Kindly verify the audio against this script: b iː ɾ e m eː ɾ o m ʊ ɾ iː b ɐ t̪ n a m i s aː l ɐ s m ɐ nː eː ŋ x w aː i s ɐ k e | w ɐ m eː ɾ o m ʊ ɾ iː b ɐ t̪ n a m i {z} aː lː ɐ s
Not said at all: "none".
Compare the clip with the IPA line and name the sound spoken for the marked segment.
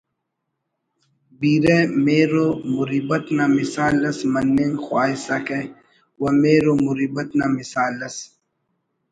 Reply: s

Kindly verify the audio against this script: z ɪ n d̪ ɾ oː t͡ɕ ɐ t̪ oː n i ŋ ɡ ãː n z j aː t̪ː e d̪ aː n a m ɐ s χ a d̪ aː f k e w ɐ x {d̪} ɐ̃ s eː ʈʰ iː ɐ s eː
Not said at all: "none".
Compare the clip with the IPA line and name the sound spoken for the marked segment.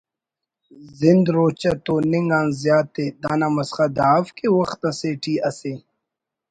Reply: t̪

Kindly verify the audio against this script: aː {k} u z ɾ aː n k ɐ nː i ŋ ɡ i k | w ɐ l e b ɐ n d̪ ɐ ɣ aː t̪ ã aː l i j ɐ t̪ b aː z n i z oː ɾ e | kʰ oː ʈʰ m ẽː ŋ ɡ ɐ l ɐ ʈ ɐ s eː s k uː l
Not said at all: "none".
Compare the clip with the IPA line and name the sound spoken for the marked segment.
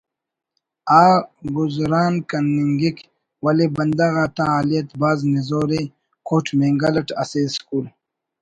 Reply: ɡ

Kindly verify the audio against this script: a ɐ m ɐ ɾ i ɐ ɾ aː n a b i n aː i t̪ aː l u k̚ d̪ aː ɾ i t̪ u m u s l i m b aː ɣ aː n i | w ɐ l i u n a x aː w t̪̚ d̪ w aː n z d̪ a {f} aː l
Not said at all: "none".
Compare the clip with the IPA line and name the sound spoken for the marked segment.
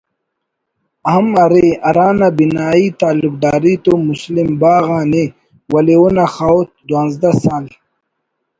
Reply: s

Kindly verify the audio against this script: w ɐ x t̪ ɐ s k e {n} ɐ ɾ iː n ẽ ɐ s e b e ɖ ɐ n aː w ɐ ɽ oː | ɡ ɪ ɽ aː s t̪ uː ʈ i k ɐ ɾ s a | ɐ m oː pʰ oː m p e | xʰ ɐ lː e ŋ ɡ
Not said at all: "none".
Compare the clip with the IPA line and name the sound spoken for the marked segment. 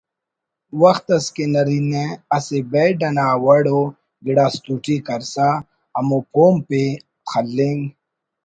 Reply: n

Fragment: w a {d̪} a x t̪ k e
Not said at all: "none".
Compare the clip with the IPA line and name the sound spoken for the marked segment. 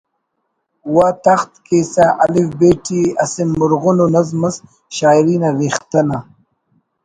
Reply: t̪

